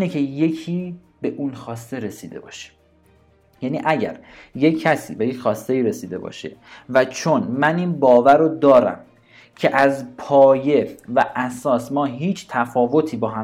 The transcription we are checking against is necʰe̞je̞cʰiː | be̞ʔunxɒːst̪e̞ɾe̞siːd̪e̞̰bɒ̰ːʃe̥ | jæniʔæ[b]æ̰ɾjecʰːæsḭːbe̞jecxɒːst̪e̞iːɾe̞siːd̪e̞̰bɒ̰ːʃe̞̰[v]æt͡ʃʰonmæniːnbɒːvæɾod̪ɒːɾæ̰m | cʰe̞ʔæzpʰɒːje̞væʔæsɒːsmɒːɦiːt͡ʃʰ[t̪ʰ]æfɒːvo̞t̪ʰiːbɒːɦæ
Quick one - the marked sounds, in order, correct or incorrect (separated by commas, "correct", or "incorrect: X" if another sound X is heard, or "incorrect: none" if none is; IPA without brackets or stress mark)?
incorrect: ɟ, correct, correct